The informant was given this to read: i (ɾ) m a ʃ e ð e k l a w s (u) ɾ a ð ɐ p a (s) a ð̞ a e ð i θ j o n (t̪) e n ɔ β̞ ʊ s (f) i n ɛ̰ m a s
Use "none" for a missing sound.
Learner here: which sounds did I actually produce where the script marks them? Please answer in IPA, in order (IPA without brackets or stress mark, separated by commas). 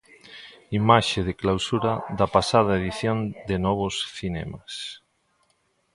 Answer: none, u, s, d̪, θ